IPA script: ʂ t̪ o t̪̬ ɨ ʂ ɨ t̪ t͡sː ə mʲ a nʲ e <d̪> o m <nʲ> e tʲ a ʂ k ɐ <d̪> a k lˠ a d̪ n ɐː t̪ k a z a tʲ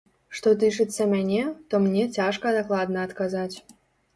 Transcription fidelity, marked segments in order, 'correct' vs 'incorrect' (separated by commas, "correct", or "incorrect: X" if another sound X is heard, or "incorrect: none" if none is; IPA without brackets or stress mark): incorrect: t̪, correct, correct